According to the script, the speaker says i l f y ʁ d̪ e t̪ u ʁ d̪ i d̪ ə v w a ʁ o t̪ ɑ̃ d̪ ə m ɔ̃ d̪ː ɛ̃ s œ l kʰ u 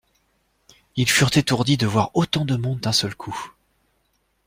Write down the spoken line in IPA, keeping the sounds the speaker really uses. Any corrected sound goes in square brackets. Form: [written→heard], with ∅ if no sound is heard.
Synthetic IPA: i l f y ʁ [d̪→t̪] e t̪ u ʁ d̪ i d̪ ə v w a ʁ o t̪ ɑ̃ d̪ ə m ɔ̃ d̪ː ɛ̃ s œ l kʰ u